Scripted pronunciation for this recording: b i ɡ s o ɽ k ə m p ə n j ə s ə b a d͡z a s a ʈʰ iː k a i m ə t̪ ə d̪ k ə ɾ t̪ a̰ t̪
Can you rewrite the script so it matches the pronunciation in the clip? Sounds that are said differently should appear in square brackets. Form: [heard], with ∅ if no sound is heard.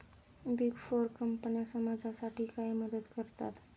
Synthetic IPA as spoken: b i ɡ [f] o [ɾ] k ə m p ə n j [a] s ə [m] a d͡z a s a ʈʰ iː k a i m ə [d̪] ə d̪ k ə ɾ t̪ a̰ t̪